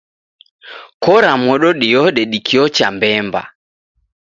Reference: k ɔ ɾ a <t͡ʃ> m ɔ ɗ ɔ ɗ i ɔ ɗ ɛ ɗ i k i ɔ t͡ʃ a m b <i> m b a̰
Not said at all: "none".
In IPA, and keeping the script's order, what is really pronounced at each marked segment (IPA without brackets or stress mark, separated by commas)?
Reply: none, ɛ